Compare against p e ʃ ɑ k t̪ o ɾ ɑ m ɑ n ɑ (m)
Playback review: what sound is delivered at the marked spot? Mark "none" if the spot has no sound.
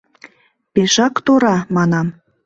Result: m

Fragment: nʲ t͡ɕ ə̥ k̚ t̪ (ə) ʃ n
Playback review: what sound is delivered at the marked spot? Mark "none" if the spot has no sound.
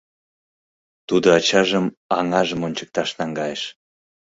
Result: ɑ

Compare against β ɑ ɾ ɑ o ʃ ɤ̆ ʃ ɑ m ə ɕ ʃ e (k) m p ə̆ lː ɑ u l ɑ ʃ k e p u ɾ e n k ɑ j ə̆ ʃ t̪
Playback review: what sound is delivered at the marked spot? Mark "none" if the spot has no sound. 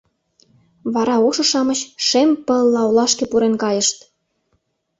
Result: none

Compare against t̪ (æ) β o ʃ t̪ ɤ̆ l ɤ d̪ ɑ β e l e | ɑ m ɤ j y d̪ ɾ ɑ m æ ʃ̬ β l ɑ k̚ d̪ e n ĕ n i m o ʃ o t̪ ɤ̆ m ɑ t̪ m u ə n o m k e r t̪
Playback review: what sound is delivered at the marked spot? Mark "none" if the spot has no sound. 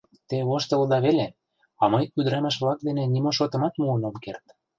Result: e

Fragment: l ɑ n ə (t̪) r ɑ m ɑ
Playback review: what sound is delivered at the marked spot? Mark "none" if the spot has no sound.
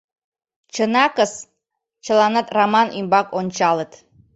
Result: t̪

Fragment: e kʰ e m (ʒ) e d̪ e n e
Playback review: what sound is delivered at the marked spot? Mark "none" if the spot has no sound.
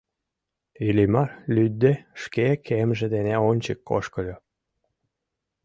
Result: ʒ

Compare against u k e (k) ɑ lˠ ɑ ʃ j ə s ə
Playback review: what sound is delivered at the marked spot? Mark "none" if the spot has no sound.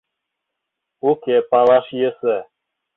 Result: p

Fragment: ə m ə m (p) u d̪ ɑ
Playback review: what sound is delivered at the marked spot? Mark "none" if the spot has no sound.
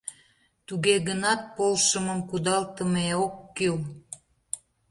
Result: k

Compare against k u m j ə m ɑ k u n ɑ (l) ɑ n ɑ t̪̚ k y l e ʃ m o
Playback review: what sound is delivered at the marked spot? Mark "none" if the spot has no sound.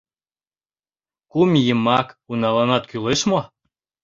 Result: l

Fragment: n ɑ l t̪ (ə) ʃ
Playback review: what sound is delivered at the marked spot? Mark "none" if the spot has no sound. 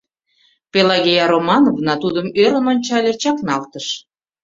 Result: ə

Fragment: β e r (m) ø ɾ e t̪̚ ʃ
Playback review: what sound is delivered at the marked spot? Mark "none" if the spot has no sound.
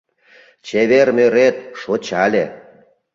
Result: m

